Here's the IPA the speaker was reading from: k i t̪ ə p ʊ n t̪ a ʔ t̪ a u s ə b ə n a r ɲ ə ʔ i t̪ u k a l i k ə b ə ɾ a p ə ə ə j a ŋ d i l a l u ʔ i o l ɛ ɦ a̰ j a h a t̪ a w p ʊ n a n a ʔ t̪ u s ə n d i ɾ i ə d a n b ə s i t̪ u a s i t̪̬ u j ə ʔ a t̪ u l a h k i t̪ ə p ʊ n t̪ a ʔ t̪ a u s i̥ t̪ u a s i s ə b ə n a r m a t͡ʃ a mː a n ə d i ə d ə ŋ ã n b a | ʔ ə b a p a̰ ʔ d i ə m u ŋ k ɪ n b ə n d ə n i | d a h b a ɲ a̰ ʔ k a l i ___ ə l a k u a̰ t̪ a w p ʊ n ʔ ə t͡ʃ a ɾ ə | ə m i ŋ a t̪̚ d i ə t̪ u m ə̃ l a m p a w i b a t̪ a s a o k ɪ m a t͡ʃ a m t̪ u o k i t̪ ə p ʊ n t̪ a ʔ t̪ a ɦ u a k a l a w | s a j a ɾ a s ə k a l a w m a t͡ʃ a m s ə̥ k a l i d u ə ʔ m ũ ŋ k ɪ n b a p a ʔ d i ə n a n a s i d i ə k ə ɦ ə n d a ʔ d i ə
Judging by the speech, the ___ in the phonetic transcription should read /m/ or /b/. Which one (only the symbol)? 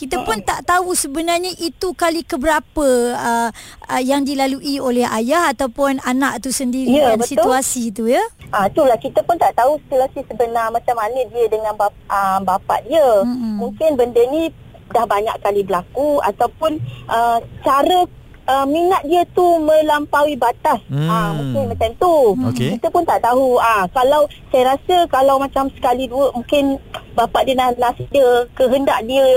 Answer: b